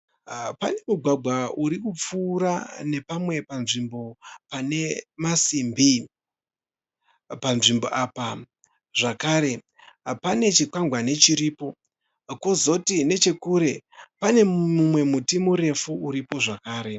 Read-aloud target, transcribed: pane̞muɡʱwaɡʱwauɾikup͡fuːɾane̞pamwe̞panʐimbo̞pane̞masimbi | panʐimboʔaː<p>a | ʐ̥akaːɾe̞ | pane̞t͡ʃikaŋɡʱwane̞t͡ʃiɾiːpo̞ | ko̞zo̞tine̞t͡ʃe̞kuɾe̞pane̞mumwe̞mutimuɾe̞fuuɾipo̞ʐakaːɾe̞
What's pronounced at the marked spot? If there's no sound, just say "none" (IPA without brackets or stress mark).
p